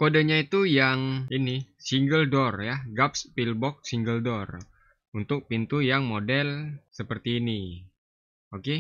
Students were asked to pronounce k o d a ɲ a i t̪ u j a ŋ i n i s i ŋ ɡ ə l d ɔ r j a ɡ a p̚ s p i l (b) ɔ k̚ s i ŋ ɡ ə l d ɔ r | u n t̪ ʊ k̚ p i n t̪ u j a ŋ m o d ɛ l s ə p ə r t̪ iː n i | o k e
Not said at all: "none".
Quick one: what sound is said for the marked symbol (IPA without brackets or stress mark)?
b